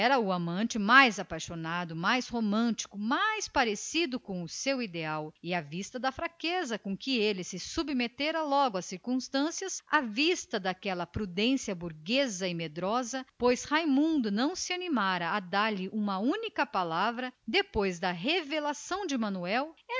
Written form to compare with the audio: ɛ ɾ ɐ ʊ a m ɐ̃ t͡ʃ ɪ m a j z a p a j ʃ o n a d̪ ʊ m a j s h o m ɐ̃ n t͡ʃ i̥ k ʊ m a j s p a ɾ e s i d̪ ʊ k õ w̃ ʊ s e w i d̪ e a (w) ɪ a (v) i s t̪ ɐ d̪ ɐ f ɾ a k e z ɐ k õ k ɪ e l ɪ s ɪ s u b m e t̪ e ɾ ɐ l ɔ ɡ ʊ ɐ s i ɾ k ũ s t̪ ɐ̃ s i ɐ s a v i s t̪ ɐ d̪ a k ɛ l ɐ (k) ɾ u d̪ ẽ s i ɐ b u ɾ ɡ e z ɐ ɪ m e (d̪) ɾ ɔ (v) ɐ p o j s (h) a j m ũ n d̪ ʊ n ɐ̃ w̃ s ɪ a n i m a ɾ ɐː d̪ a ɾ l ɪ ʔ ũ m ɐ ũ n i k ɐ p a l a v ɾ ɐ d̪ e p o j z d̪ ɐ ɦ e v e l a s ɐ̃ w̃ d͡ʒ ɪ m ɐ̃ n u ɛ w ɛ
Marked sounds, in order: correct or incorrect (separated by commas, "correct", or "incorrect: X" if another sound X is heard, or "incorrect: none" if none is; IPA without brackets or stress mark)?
correct, correct, incorrect: p, correct, incorrect: z, correct